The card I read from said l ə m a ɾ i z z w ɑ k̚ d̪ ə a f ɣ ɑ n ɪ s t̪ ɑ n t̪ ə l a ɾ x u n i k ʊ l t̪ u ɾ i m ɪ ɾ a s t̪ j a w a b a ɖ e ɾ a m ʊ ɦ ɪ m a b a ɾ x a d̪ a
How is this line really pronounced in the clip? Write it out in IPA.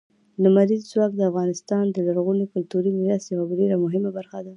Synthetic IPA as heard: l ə m a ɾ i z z w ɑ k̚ d̪ ə a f ɣ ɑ n ɪ s t̪ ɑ n d̪ ə l a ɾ ɣ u n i k ʊ l t̪ u ɾ i m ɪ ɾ a s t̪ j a w a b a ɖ e ɾ a m ʊ ɦ ɪ m a b a ɾ x a d̪ a